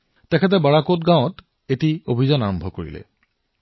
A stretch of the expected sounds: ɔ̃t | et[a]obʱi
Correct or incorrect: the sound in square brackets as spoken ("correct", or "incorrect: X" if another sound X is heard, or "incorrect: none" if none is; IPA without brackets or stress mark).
incorrect: i